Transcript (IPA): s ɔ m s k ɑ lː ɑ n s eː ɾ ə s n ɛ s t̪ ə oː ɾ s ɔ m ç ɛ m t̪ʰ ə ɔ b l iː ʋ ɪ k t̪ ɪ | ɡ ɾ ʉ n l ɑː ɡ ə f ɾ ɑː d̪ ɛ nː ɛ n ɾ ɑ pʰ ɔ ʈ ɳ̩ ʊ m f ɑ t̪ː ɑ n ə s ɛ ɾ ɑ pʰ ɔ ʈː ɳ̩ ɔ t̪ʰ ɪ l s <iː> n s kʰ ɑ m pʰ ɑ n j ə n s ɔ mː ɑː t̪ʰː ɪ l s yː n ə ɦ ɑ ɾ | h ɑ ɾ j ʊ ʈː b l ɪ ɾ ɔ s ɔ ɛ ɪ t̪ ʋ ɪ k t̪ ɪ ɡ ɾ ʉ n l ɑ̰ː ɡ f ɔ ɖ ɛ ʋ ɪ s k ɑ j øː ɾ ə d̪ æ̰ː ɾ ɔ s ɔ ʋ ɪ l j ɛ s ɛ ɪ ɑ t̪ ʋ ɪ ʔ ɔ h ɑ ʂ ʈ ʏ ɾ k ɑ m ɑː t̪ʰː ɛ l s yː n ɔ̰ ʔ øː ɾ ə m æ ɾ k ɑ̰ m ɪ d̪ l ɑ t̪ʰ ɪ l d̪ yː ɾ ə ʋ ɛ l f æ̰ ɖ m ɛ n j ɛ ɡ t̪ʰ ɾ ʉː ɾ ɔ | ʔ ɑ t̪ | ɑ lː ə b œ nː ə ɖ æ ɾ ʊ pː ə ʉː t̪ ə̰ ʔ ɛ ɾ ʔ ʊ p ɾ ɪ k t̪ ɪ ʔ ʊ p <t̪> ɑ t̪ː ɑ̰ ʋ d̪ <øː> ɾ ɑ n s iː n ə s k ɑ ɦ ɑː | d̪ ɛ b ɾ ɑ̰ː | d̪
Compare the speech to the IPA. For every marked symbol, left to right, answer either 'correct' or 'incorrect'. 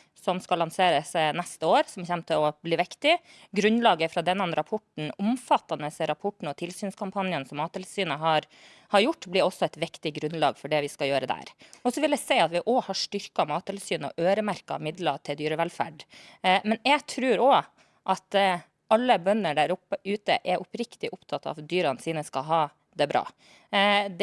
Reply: incorrect: yː, incorrect: t̪ʰ, incorrect: yː

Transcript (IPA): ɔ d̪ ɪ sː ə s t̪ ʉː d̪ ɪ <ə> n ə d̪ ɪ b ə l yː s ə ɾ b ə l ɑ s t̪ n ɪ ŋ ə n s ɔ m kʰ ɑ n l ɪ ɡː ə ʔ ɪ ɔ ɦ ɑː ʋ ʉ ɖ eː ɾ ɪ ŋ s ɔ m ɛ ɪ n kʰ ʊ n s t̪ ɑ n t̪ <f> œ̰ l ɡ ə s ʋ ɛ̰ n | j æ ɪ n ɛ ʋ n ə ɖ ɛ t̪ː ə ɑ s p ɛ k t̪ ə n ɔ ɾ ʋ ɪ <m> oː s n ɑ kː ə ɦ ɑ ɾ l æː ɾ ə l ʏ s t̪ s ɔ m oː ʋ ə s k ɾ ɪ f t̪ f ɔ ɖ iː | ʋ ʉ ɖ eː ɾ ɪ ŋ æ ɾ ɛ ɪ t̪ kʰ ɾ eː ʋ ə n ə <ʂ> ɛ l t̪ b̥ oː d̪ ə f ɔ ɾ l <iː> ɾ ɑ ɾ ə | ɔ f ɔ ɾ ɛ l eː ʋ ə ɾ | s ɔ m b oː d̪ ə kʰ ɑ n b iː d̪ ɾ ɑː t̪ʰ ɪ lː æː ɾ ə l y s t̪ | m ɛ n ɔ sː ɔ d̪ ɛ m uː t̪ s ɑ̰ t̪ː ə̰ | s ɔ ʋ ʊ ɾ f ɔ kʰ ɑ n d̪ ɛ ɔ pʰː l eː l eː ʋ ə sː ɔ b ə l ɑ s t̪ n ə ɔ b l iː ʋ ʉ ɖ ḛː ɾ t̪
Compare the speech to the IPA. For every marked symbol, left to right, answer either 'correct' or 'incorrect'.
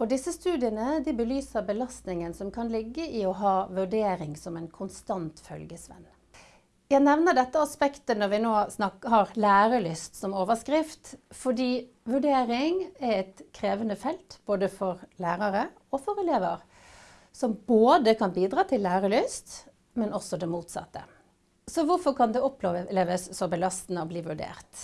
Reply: correct, correct, incorrect: n, incorrect: f, incorrect: æː

